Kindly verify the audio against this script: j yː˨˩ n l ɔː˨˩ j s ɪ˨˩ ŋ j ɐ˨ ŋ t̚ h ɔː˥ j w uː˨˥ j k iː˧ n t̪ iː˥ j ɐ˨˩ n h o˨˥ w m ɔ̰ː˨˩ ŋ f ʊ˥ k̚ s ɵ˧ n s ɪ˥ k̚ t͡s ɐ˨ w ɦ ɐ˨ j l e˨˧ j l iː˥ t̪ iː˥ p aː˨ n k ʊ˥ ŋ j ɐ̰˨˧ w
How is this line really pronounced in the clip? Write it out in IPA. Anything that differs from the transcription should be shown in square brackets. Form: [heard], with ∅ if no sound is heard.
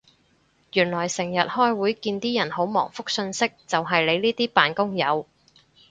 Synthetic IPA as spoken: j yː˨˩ n l ɔː˨˩ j s ɪ˨˩ ŋ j ɐ˨ [∅] t̚ h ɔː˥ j w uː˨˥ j k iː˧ n t̪ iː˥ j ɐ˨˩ n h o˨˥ w m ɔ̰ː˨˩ ŋ f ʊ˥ k̚ s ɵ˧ n s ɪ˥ k̚ t͡s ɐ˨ w ɦ ɐ˨ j l e˨˧ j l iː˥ t̪ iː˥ p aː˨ n k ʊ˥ ŋ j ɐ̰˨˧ w